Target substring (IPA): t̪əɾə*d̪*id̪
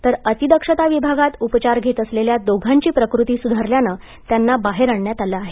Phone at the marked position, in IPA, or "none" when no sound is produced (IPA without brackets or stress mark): t̪